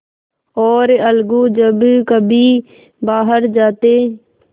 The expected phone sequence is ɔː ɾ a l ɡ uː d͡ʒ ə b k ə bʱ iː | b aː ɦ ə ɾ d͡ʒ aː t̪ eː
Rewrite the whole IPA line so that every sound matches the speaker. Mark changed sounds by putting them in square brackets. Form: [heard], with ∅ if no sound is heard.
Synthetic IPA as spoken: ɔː ɾ [ə] l ɡ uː d͡ʒ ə b k ə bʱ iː | b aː ɦ ə ɾ d͡ʒ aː t̪ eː